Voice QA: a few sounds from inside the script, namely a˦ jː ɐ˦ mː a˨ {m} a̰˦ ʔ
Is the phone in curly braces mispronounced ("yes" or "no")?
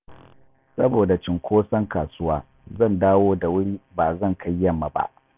yes